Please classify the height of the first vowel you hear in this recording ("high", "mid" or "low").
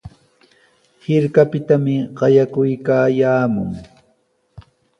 high